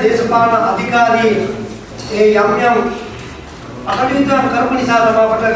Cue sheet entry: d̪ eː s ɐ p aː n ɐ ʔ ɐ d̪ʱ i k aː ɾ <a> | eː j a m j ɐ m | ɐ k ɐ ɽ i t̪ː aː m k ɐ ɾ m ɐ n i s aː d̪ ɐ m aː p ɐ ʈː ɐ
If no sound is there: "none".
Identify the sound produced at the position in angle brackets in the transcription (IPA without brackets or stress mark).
i